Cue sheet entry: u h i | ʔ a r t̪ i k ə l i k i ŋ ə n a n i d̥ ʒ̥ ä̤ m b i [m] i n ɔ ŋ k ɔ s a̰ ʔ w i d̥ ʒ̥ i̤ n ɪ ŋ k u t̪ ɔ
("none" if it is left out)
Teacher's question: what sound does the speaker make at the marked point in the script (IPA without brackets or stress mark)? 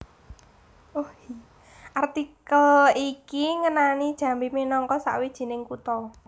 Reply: m